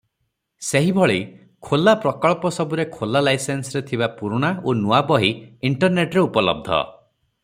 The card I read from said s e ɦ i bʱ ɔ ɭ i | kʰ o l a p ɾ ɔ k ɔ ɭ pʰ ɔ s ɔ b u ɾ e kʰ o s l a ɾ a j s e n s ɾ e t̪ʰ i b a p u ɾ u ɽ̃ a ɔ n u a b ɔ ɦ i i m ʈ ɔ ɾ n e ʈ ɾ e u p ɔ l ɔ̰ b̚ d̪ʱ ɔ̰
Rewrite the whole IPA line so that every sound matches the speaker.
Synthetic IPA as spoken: s e ɦ i bʱ ɔ ɭ i | kʰ o l a p ɾ ɔ k ɔ ɭ p ɔ s ɔ b u ɾ e kʰ o l a l a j s e n s ɾ e t̪ʰ i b a p u ɾ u ɽ̃ a o n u a b ɔ ɦ i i ɳ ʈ ɔ ɾ n e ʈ ɾ e u p ɔ l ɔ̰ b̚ d̪ʱ ɔ̰

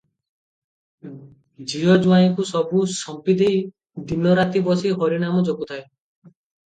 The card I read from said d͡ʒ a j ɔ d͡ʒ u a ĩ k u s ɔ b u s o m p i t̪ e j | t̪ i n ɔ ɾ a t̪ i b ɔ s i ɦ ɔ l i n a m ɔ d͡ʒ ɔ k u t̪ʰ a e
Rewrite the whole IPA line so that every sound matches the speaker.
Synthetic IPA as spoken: d͡ʒ i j ɔ d͡ʒ u a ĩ k u s ɔ b u s ɔ m p i d̪ e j | d̪ i n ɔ ɾ a t̪ i b ɔ s i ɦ ɔ ɾ i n a m ɔ d͡ʒ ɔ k u t̪ʰ a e

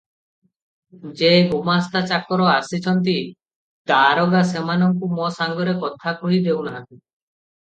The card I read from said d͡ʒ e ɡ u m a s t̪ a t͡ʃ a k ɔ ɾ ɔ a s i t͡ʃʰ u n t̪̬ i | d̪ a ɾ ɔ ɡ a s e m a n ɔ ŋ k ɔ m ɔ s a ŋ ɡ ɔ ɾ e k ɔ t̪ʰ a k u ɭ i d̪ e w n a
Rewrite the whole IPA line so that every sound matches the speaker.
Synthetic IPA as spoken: d͡ʒ e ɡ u m a s t̪ a t͡ʃ a k ɔ ɾ ɔ a s i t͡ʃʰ ɔ n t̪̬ i | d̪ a ɾ ɔ ɡ a s e m a n ɔ ŋ k u m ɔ s a ŋ ɡ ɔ ɾ e k ɔ t̪ʰ a k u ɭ i d̪ e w n a

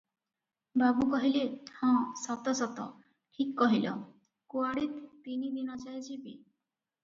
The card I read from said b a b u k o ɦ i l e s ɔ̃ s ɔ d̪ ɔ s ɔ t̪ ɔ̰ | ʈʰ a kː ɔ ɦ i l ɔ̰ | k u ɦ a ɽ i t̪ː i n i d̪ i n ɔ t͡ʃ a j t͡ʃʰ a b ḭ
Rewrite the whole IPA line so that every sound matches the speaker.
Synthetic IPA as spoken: b a b u k ɔ ɦ i l e h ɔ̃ s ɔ t̪ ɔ s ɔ t̪ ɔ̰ | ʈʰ i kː ɔ ɦ i l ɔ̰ | k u a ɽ i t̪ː i n i d̪ i n ɔ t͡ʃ a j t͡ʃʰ i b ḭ

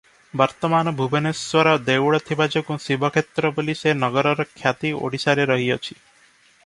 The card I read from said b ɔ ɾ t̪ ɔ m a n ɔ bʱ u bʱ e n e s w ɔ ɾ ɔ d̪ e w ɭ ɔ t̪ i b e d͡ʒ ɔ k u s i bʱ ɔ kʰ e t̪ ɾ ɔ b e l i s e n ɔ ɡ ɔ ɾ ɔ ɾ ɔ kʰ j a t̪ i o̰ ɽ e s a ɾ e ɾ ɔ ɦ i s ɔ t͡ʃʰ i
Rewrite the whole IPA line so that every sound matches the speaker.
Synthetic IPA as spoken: b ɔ ɾ t̪ ɔ m a n ɔ bʱ u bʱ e n e s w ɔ ɾ ɔ d̪ e w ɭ ɔ t̪ʰ i b a d͡ʒ ɔ k u s i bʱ ɔ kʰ e t̪ ɾ ɔ b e l i s e n ɔ ɡ ɔ ɾ ɔ ɾ ɔ kʰ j a t̪ i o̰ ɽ i s a ɾ e ɾ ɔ ɦ i ɔ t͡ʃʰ i

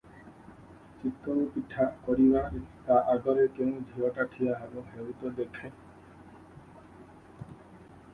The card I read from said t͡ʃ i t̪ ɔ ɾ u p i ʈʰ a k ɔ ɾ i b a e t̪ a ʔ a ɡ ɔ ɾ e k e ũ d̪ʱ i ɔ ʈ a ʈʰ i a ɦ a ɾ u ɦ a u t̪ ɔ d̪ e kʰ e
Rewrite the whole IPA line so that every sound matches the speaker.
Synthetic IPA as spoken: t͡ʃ i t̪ ɔ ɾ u p i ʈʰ a k ɔ ɾ i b a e t̪ a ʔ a ɡ ɔ ɾ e k e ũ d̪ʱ i ɔ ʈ a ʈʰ i a ɦ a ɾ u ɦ e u t̪ ɔ d̪ e kʰ e

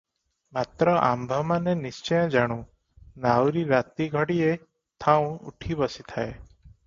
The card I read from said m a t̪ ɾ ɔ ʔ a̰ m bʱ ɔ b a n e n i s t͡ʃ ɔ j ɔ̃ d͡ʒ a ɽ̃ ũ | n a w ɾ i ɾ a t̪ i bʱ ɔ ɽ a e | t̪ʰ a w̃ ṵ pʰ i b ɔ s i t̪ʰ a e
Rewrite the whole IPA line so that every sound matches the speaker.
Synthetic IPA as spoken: m a t̪ ɾ ɔ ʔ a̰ m bʱ ɔ m a n e n i s t͡ʃ ɔ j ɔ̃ d͡ʒ a ɽ̃ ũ | n a w ɾ i ɾ a t̪ i ɡʱ ɔ ɽ i e | t̪ʰ a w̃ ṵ ʈʰ i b ɔ s i t̪ʰ a e

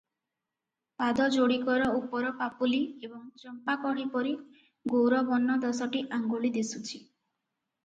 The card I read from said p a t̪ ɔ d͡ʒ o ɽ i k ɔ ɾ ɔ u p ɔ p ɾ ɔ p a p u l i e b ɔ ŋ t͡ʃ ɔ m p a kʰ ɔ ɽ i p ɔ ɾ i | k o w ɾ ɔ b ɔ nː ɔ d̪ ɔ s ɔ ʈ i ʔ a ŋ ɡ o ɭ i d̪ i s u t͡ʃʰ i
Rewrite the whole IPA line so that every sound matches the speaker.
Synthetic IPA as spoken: p a d̪ ɔ d͡ʒ o ɽ i k ɔ ɾ ɔ u p ɔ ɾ ɔ p a p u l i e b ɔ ŋ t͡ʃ ɔ m p a k ɔ ɽ i p ɔ ɾ i | ɡ o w ɾ ɔ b ɔ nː ɔ d̪ ɔ s ɔ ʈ i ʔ a ŋ ɡ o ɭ i d̪ i s u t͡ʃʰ i

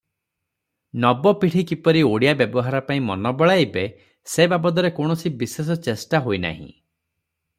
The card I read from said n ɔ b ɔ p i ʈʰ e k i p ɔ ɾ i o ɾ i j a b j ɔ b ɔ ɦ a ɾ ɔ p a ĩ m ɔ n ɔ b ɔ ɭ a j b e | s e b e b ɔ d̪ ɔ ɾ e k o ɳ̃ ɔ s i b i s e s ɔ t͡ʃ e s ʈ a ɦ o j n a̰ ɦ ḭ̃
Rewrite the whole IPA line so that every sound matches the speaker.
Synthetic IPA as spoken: n ɔ b ɔ p i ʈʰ i k i p ɔ ɾ i o ɽ i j a b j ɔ b ɔ ɦ a ɾ ɔ p a ĩ m ɔ n ɔ b ɔ ɭ a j b e | s e b a b ɔ d̪ ɔ ɾ e k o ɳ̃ ɔ s i b i s e s ɔ t͡ʃ e s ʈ a ɦ o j n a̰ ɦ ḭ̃

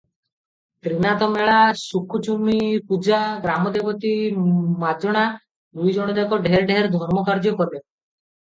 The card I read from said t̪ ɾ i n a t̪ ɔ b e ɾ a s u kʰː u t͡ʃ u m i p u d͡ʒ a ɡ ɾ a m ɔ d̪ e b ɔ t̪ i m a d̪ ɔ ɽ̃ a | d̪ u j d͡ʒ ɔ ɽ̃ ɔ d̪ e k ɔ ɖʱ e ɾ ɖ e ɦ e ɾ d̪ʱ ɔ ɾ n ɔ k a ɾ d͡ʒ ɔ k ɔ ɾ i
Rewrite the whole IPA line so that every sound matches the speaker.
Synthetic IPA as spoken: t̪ ɾ i n a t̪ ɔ m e ɭ a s u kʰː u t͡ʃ u m i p u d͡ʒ a ɡ ɾ a m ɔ d̪ e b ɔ t̪ i m a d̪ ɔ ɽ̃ a | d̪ u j d͡ʒ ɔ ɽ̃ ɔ d̪ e k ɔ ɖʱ e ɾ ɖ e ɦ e ɾ d̪ʱ ɔ ɾ m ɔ k a ɾ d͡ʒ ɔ k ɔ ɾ e

